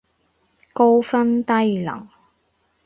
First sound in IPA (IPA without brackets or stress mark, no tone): k